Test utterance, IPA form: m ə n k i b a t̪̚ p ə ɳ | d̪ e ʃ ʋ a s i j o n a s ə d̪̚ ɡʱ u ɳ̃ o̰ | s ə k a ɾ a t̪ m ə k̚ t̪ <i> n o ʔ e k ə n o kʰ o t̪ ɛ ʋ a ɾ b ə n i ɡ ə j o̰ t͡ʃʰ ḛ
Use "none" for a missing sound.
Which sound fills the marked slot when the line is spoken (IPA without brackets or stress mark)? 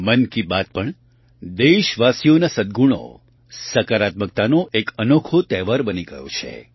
a